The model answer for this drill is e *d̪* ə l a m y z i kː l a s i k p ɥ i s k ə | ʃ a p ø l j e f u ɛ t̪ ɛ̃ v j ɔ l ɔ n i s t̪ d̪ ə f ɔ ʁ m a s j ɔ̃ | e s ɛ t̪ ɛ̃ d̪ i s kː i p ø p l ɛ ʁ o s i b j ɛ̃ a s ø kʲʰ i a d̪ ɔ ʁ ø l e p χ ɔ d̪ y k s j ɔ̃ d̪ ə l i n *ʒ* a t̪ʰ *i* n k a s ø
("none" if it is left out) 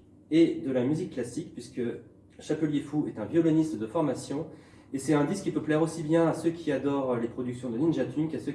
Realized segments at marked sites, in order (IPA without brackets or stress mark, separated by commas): d̪, ʒ, y